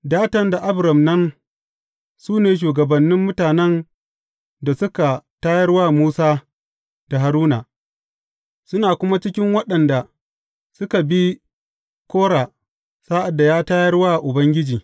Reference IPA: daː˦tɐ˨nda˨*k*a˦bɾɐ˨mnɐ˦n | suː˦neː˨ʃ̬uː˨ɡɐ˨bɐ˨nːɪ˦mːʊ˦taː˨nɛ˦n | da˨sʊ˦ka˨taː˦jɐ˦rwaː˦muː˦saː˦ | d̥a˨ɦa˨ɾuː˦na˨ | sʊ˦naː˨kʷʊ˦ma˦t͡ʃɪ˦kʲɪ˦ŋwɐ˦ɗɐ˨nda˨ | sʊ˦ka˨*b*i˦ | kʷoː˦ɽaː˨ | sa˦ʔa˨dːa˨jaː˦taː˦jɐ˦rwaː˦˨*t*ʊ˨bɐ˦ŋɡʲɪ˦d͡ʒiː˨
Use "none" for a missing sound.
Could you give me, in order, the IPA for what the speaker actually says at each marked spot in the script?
ʔ, b, ʔ

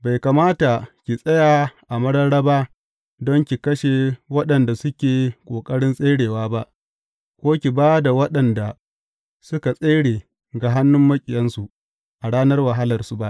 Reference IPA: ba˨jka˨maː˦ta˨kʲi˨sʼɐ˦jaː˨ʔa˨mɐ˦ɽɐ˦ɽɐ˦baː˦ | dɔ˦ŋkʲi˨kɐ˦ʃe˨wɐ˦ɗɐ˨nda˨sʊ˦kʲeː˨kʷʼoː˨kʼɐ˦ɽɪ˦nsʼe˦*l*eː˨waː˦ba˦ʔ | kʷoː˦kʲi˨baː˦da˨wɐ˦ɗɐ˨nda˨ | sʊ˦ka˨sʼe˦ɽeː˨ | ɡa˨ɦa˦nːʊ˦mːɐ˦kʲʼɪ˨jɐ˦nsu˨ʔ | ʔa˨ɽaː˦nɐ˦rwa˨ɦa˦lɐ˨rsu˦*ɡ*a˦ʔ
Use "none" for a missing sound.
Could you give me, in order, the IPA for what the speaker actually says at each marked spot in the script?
ɽ, b

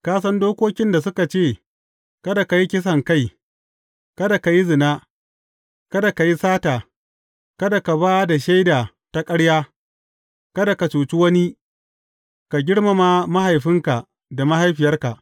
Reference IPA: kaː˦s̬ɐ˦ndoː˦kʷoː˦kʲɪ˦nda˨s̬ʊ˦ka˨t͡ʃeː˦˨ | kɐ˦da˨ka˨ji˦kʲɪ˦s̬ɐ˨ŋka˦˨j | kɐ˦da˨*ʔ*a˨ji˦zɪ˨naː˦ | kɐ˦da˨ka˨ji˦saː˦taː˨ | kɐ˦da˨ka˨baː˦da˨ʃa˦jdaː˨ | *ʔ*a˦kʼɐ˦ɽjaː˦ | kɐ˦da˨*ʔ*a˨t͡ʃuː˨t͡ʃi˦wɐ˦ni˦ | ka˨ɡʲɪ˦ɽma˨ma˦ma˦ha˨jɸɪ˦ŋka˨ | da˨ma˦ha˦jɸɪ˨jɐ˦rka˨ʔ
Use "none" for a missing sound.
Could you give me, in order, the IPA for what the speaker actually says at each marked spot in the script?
k, t, k

